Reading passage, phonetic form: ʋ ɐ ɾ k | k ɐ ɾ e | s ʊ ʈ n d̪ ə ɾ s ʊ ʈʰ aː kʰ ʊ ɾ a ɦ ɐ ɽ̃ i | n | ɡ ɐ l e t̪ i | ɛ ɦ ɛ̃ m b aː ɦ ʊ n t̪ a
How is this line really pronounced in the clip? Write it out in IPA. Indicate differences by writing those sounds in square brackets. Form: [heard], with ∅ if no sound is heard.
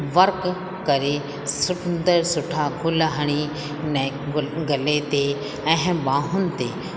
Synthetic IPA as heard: ʋ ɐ ɾ k | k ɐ ɾ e | s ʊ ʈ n d̪ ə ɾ s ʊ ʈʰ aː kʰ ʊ [l] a ɦ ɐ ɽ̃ i | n | ɡ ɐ l e t̪ [e] | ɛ ɦ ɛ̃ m b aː ɦ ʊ n t̪ [e]